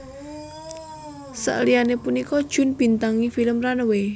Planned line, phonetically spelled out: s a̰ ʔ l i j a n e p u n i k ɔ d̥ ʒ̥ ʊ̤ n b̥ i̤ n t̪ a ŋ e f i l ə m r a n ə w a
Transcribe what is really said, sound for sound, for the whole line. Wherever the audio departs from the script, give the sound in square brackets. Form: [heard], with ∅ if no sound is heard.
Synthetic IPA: s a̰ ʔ l i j a n e p u n i k ɔ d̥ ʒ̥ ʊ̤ n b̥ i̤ n t̪ a ŋ [i] f i l ə m r a n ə w [e]